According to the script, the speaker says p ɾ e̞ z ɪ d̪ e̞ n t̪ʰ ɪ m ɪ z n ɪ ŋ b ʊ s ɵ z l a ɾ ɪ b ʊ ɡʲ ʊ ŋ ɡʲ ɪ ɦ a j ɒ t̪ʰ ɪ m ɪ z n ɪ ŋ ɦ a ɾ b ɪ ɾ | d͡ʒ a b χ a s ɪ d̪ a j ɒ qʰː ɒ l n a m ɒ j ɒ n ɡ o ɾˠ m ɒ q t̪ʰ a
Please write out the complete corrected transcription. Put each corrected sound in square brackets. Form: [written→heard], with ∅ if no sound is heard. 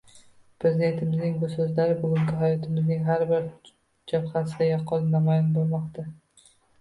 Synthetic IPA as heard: p ɾ e̞ z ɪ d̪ e̞ n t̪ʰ ɪ m ɪ z n ɪ ŋ b ʊ s ɵ z l a ɾ ɪ b ʊ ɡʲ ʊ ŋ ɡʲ ɪ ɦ a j ɒ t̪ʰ ɪ m ɪ z n ɪ ŋ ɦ a ɾ b ɪ ɾ | d͡ʒ a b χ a s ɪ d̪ a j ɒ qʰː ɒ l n a m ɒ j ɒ n [ɡ→b] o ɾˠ m ɒ q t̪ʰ a

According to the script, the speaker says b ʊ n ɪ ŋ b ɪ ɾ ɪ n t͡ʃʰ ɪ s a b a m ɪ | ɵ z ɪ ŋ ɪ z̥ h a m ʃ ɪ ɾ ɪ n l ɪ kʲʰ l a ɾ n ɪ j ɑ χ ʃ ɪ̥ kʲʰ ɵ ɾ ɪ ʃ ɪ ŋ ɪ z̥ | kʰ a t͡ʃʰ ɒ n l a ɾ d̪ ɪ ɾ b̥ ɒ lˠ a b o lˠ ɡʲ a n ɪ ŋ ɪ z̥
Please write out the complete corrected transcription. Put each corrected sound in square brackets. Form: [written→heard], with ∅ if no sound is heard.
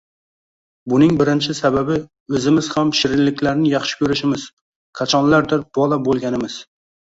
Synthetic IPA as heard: b ʊ n ɪ ŋ b ɪ ɾ ɪ n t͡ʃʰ ɪ s a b a [m→b] ɪ | ɵ z ɪ [ŋ→m] ɪ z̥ h a m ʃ ɪ ɾ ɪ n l ɪ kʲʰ l a ɾ n ɪ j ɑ χ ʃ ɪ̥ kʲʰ ɵ ɾ ɪ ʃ ɪ [ŋ→m] ɪ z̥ | kʰ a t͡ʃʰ ɒ n l a ɾ d̪ ɪ ɾ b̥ ɒ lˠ a b o lˠ ɡʲ a n ɪ [ŋ→m] ɪ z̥

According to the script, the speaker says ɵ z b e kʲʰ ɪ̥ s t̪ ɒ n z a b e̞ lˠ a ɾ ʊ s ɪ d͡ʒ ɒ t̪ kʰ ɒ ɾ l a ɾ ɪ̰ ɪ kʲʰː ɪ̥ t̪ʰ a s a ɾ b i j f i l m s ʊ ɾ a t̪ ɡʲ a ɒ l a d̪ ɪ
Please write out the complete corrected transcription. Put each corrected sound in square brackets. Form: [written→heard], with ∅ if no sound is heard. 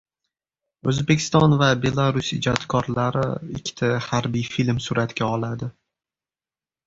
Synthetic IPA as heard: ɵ z b e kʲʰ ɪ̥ s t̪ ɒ n [z→v] a b e̞ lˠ a ɾ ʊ s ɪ d͡ʒ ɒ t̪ kʰ ɒ ɾ l a ɾ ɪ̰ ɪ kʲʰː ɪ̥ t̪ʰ a [s→h] a ɾ b i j f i l m s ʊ ɾ a t̪ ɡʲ a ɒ l a d̪ ɪ

